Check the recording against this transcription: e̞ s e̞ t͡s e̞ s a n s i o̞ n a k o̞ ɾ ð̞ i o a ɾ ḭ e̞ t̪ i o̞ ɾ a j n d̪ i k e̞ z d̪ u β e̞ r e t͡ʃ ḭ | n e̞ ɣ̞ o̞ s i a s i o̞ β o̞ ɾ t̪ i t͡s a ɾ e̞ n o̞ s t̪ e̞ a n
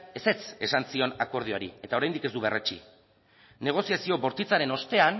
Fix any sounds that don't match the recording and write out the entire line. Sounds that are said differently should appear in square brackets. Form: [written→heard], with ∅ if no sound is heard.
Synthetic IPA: e̞ s e̞ t͡s e̞ s a n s i o̞ n a k o̞ ɾ ð̞ i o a ɾ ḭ e̞ t̪ [i→a] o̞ ɾ a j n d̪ i k e̞ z d̪ u β e̞ r e t͡ʃ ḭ | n e̞ ɣ̞ o̞ s i a s i o̞ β o̞ ɾ t̪ i t͡s a ɾ e̞ n o̞ s t̪ e̞ a n